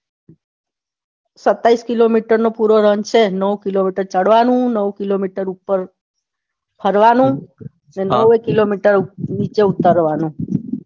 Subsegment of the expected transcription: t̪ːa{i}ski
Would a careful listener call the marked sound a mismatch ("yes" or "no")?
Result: no